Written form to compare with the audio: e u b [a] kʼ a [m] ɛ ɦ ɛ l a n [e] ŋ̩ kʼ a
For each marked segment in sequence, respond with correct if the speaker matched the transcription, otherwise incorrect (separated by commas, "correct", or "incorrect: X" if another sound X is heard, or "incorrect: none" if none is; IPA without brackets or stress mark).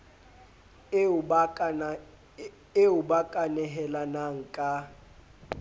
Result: correct, incorrect: n, incorrect: a